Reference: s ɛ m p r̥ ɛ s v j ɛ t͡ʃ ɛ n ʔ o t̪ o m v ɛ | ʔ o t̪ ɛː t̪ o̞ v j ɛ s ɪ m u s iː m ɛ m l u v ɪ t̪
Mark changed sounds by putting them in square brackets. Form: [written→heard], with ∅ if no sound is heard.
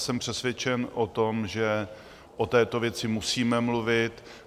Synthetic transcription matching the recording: s ɛ m p r̥ ɛ s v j ɛ t͡ʃ ɛ n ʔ o t̪ o m [v→ʒ] ɛ | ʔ o t̪ ɛː t̪ o̞ v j ɛ [s→t͡s] ɪ m u s iː m ɛ m l u v ɪ t̪